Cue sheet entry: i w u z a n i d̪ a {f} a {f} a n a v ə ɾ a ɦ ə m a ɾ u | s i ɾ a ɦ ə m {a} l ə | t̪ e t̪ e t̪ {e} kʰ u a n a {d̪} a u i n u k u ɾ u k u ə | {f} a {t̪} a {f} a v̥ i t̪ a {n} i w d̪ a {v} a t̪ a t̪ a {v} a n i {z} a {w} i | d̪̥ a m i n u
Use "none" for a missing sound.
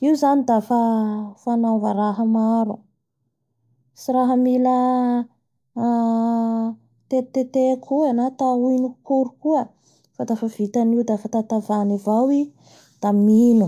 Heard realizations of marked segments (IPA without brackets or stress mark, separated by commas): f, f, i, e, t̪, f, d̪, f, n, f, v, v, w